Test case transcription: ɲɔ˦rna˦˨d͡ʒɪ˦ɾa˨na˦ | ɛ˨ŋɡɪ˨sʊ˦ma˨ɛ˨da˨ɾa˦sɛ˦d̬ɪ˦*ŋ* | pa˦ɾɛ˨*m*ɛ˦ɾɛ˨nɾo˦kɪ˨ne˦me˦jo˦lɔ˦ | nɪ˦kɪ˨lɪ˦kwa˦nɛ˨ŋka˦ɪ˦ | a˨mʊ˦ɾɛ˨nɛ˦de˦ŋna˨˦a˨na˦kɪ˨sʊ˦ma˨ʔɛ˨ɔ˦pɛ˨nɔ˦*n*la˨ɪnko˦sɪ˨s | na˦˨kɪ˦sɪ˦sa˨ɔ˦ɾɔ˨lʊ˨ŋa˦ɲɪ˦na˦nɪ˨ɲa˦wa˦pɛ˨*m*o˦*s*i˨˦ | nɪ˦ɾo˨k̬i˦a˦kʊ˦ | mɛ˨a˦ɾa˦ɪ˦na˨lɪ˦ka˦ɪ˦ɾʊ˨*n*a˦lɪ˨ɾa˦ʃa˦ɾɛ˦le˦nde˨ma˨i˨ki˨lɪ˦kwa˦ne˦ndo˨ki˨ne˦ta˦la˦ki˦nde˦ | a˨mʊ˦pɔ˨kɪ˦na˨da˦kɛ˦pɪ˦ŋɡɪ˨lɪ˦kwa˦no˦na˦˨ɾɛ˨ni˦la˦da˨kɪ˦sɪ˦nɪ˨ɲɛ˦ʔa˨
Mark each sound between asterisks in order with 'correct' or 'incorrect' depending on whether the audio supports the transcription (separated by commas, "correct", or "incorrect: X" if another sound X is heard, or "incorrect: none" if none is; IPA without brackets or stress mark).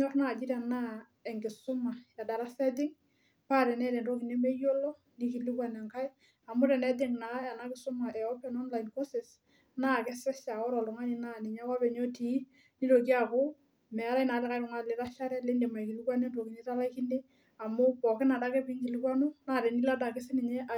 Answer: correct, incorrect: n, correct, incorrect: ɲ, incorrect: t, incorrect: ŋ